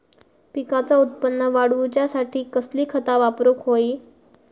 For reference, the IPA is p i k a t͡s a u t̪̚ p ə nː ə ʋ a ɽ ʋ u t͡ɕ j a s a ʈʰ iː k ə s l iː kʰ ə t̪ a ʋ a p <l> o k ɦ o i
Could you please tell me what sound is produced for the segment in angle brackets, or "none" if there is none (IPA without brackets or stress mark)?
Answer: ɾ